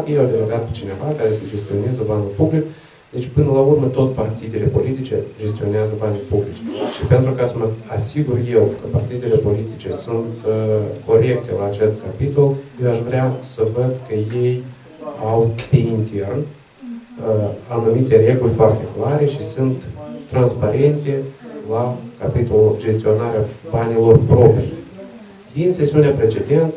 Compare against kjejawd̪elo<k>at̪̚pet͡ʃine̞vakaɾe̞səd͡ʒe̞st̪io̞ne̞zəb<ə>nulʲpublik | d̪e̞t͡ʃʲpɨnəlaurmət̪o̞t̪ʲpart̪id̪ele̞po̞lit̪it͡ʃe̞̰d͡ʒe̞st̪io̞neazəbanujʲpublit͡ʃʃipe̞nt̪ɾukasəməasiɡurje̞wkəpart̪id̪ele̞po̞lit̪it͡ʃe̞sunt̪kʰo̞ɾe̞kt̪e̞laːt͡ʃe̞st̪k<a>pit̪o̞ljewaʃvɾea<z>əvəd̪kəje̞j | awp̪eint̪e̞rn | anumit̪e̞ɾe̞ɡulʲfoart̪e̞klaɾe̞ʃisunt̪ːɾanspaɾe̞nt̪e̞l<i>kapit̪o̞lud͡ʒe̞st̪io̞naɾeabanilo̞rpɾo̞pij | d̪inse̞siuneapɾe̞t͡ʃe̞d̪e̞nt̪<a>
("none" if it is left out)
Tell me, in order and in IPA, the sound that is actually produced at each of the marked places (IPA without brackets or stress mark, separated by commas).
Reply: ɡ, a, a, s, a, ə